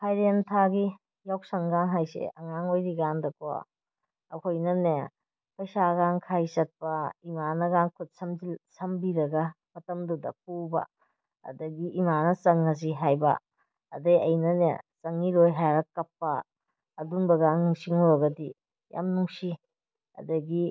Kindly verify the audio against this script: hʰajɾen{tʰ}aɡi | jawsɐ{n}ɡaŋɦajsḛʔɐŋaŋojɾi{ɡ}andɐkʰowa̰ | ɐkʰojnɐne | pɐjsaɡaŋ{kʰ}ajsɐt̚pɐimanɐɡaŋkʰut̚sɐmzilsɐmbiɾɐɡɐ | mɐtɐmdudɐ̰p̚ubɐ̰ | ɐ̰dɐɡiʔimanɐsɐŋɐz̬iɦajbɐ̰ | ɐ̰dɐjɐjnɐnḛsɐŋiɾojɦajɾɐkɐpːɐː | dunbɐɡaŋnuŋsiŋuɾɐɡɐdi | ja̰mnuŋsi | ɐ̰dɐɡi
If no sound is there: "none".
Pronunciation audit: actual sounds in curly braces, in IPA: tʰ, ŋ, ɡ, kʰ

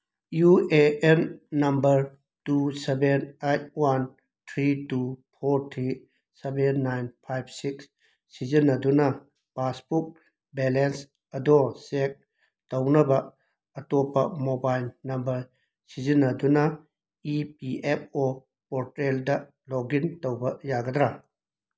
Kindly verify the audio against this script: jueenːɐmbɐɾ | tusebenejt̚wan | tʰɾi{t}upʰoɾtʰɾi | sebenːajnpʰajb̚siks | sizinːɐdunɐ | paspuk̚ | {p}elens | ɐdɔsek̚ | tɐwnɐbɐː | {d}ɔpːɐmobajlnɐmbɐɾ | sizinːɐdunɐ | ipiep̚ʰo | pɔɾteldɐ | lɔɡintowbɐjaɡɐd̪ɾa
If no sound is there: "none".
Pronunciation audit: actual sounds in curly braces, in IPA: t, b, t

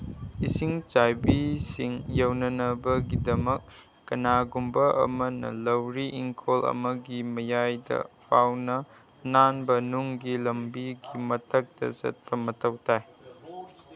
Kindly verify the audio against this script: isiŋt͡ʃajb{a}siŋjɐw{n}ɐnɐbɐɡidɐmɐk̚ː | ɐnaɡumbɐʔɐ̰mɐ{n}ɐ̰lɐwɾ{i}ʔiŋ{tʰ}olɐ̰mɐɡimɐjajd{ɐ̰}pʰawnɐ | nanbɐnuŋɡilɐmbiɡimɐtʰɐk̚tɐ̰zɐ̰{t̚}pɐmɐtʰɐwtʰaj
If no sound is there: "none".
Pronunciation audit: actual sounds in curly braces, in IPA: i, n, n, i, kʰ, ɐ̰, t̚

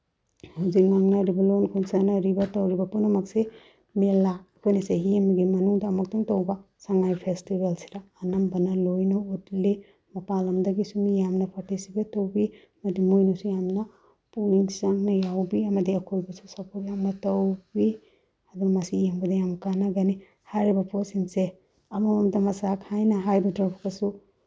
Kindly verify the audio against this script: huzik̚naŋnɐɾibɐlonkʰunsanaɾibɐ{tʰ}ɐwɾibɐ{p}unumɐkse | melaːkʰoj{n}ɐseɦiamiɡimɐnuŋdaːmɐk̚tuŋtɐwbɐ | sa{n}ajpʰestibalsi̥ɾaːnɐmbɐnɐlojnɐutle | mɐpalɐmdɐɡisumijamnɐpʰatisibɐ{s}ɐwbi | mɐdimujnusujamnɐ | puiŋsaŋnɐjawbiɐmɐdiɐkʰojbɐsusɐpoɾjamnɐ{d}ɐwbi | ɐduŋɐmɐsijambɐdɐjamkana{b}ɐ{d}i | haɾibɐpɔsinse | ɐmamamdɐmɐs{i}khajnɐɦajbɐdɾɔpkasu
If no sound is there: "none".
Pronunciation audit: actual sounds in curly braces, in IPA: t, p, n, ŋ, t, t, ɡ, n, a

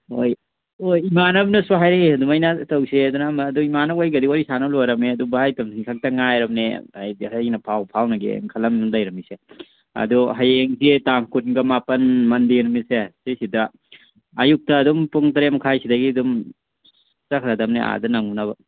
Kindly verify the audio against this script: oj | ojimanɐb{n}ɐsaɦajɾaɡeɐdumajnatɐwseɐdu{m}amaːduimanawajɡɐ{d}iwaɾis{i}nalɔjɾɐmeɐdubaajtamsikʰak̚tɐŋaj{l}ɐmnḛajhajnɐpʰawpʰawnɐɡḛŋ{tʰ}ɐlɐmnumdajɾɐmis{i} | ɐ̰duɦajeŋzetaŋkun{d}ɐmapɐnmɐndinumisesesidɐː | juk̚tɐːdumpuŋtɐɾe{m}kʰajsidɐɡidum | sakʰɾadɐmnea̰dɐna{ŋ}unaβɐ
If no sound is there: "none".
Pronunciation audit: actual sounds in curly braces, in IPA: n, n, d, a, ɾ, kʰ, e, ɡ, m, ŋ

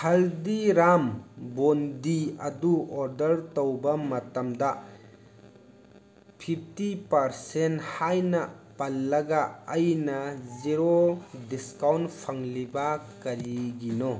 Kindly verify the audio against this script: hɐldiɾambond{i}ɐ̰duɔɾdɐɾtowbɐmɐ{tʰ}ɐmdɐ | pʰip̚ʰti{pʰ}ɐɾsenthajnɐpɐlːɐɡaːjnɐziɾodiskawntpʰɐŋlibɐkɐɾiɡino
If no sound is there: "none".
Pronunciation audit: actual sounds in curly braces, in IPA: i, t, p

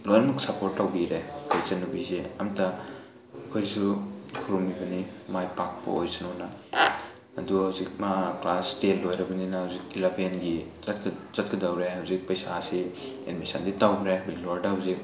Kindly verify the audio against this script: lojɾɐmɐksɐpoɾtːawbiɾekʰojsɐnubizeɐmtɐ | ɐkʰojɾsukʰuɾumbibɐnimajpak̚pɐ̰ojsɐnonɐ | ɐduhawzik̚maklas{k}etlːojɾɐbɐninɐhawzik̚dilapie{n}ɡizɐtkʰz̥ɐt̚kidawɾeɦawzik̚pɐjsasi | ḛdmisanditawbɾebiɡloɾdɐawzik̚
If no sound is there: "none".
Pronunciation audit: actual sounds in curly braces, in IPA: t, n

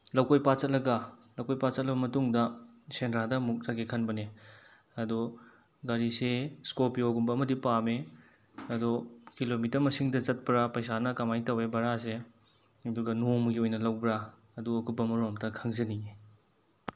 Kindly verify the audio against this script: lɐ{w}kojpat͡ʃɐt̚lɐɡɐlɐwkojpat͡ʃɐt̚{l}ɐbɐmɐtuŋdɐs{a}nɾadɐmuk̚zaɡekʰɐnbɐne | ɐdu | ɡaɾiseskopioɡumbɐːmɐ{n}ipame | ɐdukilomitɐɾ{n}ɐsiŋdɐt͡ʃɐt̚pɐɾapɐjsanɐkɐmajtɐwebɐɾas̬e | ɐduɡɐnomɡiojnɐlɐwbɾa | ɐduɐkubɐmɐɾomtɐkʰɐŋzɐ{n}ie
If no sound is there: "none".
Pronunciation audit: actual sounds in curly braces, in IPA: w, l, e, d, m, n

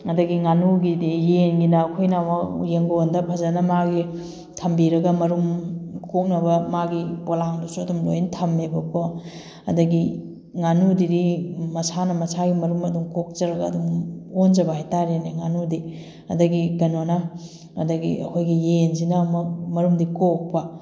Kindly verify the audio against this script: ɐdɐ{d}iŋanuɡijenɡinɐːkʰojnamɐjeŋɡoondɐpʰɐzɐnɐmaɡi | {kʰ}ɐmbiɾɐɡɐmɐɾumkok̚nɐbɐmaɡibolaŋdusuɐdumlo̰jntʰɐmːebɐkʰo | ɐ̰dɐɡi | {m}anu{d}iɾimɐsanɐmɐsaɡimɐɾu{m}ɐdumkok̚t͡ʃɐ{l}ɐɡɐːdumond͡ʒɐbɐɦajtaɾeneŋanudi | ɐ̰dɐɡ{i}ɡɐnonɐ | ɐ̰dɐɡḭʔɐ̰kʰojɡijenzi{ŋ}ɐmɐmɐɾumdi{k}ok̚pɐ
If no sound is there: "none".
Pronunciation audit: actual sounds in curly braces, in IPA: ɡ, tʰ, ŋ, d, m, ɾ, i, n, k

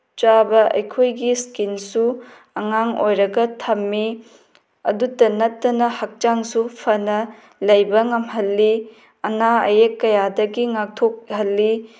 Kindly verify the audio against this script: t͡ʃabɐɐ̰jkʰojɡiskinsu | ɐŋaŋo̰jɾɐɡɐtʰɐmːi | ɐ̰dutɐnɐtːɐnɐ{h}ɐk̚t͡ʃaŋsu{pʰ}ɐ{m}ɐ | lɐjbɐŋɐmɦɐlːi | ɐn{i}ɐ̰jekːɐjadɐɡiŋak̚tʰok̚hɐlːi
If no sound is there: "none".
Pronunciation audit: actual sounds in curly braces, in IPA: h, pʰ, n, a

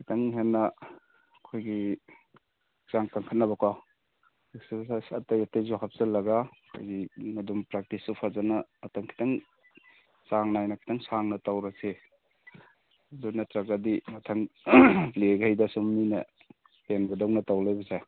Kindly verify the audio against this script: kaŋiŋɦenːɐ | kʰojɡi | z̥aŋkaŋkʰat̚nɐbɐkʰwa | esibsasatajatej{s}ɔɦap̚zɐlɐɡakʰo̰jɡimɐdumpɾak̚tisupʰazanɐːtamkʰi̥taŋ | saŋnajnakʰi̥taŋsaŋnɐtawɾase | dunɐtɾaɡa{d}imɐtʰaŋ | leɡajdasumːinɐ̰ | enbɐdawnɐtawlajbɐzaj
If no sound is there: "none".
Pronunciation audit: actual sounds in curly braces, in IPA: z, d

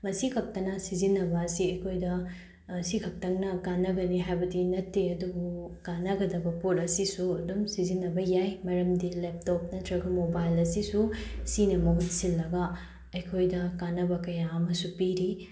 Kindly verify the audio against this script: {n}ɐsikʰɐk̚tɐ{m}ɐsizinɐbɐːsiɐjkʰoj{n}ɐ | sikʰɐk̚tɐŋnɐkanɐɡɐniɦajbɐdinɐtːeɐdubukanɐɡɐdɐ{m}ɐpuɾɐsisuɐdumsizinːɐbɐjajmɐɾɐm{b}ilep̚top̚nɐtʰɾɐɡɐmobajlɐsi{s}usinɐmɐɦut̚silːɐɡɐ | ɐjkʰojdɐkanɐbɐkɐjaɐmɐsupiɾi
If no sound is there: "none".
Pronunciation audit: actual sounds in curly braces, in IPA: m, n, d, b, d, s

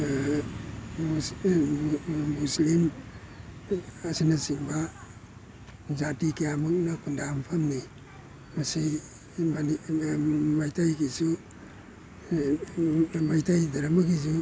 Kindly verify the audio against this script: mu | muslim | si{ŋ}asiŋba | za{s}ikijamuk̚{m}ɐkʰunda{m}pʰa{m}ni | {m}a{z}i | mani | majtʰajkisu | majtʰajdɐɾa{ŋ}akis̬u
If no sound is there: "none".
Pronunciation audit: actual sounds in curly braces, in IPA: n, t, n, m, m, m, s, m

